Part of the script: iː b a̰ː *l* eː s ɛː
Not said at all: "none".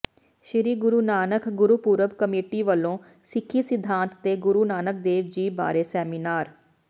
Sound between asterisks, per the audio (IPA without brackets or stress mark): ɾ